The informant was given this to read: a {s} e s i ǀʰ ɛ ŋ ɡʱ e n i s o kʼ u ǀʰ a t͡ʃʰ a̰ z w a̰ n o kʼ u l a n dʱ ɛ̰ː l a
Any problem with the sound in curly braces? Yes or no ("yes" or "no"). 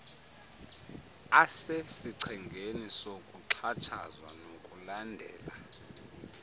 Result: no